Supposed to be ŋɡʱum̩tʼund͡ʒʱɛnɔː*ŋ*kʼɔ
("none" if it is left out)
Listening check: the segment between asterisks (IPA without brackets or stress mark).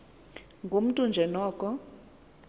none